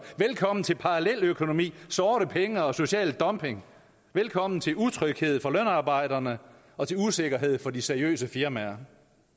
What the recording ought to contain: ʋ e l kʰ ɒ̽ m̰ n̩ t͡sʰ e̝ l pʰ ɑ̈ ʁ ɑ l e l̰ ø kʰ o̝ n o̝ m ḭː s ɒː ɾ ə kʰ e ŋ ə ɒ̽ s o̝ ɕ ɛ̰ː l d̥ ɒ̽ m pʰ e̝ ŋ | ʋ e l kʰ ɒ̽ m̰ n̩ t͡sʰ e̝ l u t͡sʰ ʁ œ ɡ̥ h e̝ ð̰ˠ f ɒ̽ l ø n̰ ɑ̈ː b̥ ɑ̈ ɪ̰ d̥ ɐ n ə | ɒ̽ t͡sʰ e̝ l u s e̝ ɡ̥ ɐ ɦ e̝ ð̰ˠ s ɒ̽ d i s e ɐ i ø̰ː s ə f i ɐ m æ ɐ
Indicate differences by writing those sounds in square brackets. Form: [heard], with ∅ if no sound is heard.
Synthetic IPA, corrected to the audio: ʋ e l kʰ ɒ̽ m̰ n̩ t͡sʰ e̝ l pʰ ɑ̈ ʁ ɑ l e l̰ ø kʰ o̝ n o̝ m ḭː s ɒː ɾ ə [pʰ] e ŋ ə ɒ̽ s o̝ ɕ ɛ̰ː l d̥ ɒ̽ m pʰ e̝ ŋ | ʋ e l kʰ ɒ̽ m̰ n̩ t͡sʰ e̝ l u t͡sʰ ʁ œ ɡ̥ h e̝ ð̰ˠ f ɒ̽ l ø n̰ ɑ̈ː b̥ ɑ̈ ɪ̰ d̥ ɐ n ə | ɒ̽ t͡sʰ e̝ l u s e̝ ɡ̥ ɐ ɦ e̝ ð̰ˠ [f] ɒ̽ d i s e ɐ i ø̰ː s ə f i ɐ m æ ɐ